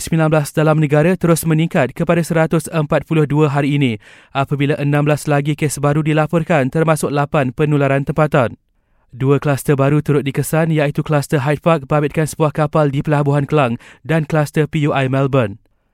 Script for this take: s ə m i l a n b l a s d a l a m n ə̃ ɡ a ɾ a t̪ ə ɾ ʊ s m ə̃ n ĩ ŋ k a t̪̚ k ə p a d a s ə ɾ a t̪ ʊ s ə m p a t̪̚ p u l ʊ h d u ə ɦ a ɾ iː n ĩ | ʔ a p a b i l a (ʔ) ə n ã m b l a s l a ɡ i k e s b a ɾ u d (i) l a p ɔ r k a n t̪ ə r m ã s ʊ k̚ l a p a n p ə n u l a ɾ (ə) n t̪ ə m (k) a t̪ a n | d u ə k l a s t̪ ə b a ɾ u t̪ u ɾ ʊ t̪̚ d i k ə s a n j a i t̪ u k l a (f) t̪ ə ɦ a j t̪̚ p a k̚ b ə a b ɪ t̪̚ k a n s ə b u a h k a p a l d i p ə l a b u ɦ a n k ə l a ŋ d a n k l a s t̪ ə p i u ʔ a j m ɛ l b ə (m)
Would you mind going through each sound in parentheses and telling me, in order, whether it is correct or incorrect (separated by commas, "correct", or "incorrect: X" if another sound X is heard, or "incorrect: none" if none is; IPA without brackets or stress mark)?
correct, correct, incorrect: a, incorrect: p, incorrect: s, incorrect: n